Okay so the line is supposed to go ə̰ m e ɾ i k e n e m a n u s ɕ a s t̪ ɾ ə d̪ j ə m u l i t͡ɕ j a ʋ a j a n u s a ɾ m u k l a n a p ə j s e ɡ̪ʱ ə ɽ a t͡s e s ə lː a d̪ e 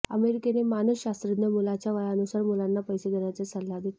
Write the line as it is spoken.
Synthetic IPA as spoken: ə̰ m e ɾ i k e n e m a n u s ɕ a s t̪ ɾ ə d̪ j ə m u l a t͡ɕ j a ʋ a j a n u s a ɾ m u l a nː a p ə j s e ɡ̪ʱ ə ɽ a t͡s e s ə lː a d̪ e